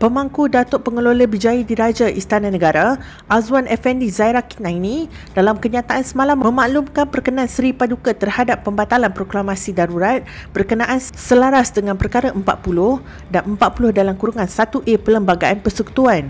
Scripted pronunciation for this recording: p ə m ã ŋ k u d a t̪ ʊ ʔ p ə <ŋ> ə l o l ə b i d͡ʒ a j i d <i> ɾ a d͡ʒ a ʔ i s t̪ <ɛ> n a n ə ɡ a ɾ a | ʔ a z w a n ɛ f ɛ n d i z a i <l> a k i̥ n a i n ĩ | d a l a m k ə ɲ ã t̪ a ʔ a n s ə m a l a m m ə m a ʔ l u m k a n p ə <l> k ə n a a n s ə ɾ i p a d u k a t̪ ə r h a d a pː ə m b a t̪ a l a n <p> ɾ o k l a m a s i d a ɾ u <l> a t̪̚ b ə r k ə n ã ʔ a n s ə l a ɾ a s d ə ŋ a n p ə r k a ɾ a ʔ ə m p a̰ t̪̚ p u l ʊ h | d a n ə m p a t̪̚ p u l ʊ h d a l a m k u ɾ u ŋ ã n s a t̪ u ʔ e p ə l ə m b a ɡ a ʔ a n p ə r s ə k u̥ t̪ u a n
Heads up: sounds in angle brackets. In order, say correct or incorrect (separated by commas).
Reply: correct, correct, incorrect, incorrect, incorrect, correct, incorrect